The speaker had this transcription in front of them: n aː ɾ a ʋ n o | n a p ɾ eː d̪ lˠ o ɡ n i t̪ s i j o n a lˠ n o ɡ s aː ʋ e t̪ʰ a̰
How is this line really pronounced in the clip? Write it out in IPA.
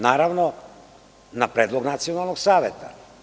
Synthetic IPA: n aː ɾ a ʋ n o | n a p ɾ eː d̪ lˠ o ɡ n a t̪ s i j o n a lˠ n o ɡ s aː ʋ e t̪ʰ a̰